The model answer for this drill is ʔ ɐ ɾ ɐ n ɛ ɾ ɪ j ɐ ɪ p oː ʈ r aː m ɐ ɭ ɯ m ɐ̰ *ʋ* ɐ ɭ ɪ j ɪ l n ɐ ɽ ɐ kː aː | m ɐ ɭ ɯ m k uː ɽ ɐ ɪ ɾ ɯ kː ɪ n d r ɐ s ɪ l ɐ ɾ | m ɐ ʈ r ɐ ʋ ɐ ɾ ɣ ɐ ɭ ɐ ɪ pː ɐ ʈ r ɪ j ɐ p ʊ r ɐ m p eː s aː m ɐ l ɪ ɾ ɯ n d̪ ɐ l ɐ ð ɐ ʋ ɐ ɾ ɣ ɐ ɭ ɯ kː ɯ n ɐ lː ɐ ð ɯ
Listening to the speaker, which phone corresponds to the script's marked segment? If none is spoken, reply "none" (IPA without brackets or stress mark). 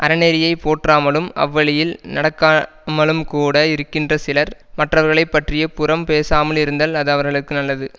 ʋː